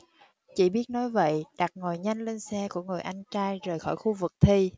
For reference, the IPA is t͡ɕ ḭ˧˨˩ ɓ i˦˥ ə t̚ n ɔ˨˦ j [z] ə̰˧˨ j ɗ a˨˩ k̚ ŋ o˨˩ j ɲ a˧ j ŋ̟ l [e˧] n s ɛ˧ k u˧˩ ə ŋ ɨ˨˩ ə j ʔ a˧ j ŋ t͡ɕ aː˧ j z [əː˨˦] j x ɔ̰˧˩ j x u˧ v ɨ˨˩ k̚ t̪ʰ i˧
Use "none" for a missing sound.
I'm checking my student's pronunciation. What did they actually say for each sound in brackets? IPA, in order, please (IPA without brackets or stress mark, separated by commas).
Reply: v, e˧, əː˨˩